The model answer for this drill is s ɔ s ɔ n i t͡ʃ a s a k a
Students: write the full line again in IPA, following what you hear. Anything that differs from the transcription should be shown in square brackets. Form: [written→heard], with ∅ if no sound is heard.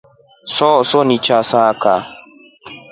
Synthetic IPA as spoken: s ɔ s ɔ n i t͡ʃ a s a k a